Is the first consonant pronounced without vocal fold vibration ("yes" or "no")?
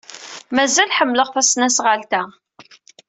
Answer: no